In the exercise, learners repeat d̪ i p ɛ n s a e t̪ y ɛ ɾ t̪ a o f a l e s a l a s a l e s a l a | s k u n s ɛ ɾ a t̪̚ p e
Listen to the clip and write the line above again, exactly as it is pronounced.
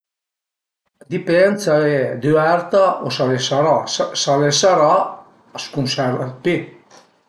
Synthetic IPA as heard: d̪ i p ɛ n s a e d̪ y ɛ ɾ t̪ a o s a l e s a ɾ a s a l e s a ɾ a | s k u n s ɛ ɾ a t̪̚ p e